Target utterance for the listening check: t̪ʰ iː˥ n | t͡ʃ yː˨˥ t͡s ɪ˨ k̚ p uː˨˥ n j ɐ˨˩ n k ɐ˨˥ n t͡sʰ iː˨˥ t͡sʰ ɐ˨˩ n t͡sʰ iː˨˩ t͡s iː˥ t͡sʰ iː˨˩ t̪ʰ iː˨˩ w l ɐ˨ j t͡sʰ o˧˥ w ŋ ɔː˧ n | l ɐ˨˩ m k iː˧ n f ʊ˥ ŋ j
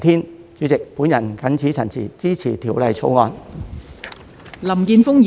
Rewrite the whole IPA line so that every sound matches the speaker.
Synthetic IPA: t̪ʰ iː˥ n | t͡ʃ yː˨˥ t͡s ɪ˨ k̚ p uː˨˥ n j ɐ˨˩ n k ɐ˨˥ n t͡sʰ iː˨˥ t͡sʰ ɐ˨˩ n t͡sʰ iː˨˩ t͡s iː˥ t͡sʰ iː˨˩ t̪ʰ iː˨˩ w l ɐ˨ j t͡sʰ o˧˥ w ŋ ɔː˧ n | l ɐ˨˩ m k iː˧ n f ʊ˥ ŋ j